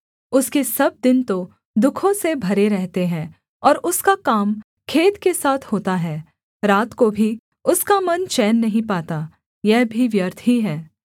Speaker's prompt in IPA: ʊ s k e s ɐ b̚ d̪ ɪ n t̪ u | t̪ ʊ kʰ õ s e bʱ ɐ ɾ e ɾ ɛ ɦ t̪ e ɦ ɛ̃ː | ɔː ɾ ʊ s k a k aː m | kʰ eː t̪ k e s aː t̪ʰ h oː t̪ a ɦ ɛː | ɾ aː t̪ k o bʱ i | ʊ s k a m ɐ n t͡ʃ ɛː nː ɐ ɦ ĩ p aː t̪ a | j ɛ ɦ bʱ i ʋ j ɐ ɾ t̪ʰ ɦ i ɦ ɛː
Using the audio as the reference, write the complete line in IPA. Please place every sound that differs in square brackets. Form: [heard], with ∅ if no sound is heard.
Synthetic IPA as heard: ʊ s k e s ɐ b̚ d̪ ɪ n t̪ [o] | [d̪] ʊ kʰ õ s e bʱ ɐ ɾ e ɾ ɛ ɦ t̪ e ɦ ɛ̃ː | ɔː ɾ ʊ s k a k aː m | kʰ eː t̪ k e s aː t̪ʰ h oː t̪ a ɦ ɛː | ɾ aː t̪ k o bʱ i | ʊ s k a m ɐ n t͡ʃ ɛː nː ɐ ɦ ĩ p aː t̪ a | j ɛ ɦ bʱ i ʋ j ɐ ɾ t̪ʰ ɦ i ɦ ɛː